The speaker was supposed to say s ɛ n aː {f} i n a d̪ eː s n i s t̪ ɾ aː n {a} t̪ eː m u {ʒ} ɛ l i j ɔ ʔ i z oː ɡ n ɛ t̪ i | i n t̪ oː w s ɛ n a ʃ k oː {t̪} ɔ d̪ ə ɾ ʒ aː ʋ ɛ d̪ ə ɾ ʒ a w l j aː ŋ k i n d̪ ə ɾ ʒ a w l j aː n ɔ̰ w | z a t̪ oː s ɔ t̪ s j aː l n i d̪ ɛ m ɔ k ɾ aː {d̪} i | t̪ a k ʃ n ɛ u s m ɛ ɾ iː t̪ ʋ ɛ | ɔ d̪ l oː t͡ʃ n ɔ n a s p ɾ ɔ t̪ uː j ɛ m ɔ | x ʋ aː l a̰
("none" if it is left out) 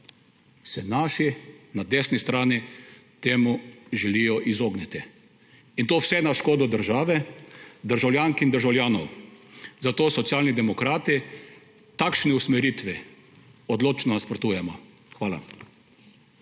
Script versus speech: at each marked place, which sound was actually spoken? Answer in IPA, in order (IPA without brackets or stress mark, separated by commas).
ʃ, i, ʒ, d̪, t̪